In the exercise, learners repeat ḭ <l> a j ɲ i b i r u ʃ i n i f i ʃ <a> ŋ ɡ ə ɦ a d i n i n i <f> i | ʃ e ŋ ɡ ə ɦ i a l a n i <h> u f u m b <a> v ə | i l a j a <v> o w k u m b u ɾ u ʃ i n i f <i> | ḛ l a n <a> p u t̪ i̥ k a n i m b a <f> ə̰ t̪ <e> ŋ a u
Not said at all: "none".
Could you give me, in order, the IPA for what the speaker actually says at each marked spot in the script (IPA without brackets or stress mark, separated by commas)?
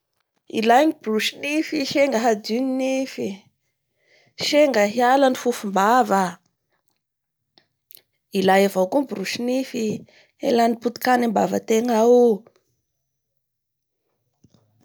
l, e, f, f, a, v, i, i, v, e